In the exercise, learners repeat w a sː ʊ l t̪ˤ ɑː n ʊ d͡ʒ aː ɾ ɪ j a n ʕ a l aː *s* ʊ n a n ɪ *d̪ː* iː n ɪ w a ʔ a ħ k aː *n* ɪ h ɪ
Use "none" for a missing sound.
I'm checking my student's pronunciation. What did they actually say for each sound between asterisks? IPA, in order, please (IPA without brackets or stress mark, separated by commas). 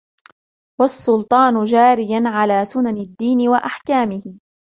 s, d̪ː, m